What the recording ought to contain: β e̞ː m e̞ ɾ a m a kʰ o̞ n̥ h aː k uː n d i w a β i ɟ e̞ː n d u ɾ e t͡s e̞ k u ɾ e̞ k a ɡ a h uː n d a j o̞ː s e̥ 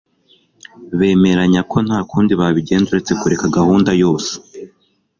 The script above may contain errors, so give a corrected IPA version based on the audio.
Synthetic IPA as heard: β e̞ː m e̞ ɾ a ɲ a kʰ o̞ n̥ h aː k uː n d i β a β i ɟ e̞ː n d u ɾ e t͡s e̞ k u ɾ e̞ k a ɡ a h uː n d a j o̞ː s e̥